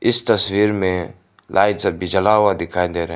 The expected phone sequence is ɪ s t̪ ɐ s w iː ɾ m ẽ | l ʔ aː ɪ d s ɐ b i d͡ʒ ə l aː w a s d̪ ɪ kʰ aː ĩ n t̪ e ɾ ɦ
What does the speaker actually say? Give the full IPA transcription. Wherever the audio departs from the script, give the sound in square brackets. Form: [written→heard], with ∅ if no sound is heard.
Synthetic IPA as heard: ɪ s t̪ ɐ s w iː ɾ m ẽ | l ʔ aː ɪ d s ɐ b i d͡ʒ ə l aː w a [s→∅] d̪ ɪ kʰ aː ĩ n [t̪→d̪] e ɾ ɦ